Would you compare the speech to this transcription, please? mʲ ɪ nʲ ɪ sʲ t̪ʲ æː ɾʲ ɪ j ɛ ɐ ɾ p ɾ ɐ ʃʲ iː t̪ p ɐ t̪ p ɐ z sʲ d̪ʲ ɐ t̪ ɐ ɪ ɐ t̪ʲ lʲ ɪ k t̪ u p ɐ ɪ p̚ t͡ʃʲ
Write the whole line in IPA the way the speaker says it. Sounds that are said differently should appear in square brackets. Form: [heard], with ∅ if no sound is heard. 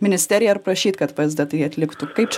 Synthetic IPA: mʲ ɪ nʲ ɪ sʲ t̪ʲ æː ɾʲ ɪ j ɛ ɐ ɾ p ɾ ɐ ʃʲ iː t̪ [k] ɐ t̪ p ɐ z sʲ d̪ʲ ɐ t̪ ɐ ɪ ɐ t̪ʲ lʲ ɪ k t̪ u [k] ɐ ɪ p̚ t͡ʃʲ